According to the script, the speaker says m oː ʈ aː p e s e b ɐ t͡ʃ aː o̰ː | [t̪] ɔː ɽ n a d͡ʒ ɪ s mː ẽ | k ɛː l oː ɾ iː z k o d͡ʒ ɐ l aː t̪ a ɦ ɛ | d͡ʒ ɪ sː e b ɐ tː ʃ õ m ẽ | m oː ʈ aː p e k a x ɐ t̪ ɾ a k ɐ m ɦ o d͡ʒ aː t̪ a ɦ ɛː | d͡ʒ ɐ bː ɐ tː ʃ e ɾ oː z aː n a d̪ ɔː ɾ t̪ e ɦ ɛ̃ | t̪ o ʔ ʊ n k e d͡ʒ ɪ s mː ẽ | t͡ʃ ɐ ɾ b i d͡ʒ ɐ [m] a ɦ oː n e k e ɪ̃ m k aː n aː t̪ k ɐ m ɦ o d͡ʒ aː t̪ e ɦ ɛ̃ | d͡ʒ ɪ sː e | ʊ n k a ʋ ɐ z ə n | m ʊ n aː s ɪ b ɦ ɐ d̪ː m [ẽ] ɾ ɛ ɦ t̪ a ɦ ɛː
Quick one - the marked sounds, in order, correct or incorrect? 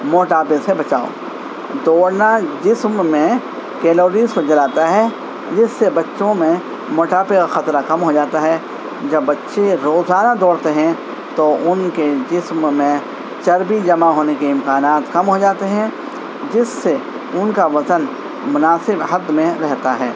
incorrect: d̪, correct, correct

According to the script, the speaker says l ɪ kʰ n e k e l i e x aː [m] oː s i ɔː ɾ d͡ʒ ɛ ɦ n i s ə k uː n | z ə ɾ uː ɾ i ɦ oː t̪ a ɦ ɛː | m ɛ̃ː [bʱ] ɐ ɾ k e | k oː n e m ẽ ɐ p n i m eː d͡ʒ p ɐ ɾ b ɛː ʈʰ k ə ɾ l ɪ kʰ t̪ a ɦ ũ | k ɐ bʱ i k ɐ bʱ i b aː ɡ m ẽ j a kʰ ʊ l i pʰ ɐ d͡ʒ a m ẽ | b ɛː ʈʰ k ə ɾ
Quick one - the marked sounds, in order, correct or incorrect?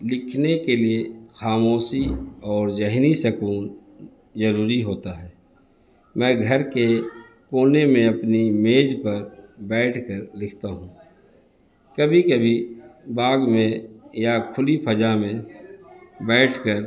correct, incorrect: ɡʱ

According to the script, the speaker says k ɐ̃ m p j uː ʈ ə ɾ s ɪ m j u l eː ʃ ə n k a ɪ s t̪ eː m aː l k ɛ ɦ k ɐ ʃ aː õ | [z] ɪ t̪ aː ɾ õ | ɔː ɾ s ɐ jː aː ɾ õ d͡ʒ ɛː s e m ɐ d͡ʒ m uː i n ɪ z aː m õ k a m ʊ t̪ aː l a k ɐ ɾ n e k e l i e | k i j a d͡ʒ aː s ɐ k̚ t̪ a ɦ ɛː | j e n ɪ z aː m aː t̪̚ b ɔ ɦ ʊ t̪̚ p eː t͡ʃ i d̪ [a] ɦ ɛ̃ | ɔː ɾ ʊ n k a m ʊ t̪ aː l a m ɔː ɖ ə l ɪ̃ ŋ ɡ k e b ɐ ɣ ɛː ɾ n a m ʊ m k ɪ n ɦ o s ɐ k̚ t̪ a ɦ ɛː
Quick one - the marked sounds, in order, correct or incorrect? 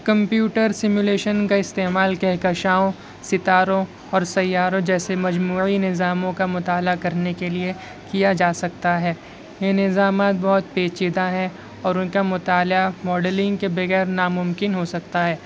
incorrect: s, correct

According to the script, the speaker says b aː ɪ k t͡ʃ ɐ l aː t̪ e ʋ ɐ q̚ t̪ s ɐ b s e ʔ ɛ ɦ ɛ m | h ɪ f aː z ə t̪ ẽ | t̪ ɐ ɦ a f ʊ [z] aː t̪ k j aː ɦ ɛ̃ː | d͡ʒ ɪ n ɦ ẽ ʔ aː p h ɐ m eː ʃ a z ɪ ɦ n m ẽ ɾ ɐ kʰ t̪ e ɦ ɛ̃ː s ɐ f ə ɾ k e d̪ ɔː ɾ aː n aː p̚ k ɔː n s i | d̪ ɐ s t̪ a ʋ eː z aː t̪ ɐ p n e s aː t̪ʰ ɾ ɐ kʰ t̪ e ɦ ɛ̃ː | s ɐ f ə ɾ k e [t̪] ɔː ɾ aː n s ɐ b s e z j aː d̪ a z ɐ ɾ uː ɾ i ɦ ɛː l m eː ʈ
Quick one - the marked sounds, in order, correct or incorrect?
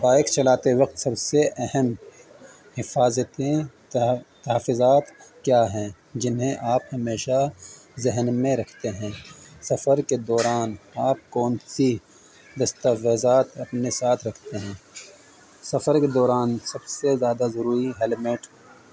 correct, incorrect: d̪

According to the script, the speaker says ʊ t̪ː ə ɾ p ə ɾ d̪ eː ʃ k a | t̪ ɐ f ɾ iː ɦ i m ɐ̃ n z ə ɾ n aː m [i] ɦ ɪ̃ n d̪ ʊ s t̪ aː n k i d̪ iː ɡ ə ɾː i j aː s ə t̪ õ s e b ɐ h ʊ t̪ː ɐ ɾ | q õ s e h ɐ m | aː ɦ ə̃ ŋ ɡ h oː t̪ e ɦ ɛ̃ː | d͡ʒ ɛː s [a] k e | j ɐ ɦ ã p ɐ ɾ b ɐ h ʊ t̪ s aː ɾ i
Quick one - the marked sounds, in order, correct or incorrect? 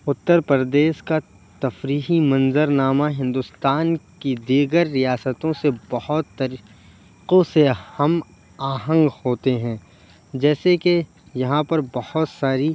incorrect: a, incorrect: e

